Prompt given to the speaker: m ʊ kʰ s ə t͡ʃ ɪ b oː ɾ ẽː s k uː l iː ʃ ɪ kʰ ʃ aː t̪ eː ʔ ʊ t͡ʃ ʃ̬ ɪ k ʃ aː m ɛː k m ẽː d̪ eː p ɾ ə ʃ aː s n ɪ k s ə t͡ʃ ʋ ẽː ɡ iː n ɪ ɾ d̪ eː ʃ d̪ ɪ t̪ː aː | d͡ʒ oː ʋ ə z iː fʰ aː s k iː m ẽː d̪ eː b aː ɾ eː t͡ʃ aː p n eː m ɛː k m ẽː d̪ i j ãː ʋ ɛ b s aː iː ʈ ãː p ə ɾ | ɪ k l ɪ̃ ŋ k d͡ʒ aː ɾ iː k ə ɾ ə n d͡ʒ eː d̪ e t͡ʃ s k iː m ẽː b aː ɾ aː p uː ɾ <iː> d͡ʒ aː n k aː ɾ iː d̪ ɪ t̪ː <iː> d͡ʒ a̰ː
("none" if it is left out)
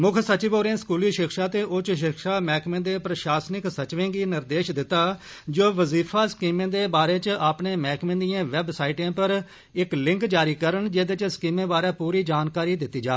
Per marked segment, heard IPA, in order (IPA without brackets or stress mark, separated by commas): iː, iː